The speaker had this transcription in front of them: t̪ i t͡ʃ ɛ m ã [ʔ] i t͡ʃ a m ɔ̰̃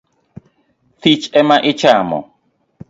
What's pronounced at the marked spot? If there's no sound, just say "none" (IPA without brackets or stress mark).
ʔ